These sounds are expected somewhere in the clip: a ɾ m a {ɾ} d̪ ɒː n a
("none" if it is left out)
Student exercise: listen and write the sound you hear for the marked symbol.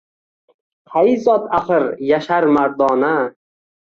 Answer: ɾ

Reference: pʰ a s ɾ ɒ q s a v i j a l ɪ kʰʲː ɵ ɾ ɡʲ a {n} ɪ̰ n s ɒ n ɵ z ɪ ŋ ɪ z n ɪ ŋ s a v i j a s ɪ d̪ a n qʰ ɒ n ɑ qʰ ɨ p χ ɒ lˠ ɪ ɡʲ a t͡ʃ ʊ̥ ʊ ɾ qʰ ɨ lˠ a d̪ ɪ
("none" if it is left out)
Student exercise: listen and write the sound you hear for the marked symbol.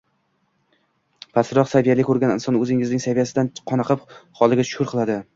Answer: n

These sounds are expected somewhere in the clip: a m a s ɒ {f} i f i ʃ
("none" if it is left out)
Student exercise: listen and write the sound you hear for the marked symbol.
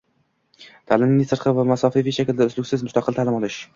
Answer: f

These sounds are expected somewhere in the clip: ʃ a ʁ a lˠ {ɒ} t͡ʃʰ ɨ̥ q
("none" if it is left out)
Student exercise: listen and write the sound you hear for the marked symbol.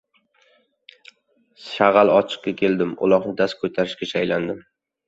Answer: ɒ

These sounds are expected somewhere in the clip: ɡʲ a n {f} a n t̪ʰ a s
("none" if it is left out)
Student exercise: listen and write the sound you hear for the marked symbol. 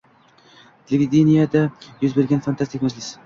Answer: f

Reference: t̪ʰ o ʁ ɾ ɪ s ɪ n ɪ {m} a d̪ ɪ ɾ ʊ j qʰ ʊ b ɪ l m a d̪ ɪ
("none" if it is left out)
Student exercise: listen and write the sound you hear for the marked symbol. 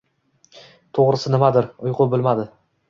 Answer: m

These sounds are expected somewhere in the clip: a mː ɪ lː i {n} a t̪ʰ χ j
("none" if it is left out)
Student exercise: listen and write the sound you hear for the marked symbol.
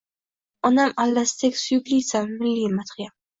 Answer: m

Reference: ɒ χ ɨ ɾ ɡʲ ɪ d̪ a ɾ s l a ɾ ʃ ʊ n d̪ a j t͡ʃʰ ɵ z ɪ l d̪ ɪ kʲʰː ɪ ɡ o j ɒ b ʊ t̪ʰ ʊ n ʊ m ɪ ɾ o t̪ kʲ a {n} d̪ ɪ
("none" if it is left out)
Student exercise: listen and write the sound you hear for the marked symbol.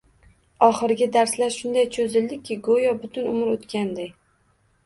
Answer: n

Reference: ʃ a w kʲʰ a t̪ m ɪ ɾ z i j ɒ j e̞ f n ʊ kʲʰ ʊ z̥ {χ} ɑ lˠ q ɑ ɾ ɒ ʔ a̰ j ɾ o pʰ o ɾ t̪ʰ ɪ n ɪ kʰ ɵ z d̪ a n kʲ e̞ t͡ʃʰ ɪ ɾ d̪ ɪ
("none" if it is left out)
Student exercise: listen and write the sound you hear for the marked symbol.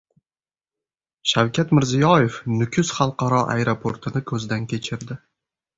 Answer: χ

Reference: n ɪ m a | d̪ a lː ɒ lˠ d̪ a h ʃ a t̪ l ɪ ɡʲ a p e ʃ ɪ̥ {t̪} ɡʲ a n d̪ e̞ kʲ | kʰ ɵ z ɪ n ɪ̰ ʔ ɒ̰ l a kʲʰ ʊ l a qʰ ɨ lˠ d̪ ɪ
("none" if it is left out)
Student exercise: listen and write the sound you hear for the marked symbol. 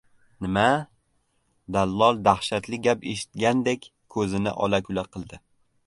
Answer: t̪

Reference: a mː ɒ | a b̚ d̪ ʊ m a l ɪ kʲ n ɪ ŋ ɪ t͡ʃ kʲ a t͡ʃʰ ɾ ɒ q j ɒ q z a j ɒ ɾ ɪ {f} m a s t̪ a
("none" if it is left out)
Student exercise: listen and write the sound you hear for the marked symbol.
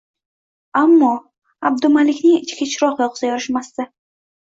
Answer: ʃ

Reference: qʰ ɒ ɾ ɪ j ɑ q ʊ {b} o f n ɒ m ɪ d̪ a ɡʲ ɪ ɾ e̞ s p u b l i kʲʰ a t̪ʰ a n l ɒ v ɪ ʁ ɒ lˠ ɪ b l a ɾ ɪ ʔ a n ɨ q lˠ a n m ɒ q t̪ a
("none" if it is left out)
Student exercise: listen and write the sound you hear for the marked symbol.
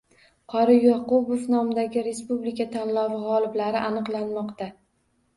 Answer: b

